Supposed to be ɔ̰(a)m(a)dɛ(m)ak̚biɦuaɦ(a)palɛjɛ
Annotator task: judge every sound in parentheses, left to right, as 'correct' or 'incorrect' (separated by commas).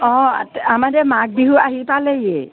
correct, correct, correct, incorrect